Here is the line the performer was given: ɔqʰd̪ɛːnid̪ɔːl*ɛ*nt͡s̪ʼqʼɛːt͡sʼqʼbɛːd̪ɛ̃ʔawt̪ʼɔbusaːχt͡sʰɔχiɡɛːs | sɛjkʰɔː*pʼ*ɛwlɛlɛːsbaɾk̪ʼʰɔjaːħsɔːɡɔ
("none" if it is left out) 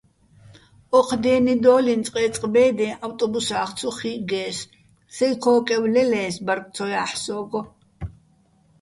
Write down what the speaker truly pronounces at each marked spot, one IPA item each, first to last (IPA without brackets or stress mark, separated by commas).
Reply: i, kʼ